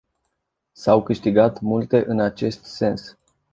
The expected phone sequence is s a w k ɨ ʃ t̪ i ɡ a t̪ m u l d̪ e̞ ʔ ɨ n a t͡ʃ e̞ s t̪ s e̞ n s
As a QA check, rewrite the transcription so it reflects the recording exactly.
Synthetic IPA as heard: s a w k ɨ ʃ t̪ i ɡ a t̪ m u l t̪ e̞ ʔ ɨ n a t͡ʃ e̞ s t̪ s e̞ n s